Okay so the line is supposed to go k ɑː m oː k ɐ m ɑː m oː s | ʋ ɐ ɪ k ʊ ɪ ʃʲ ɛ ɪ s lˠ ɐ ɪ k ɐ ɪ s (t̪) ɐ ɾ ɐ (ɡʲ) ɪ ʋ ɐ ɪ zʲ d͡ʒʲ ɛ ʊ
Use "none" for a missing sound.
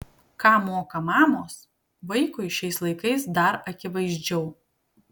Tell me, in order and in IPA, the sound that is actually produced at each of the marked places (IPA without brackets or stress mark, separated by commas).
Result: d̪, kʲ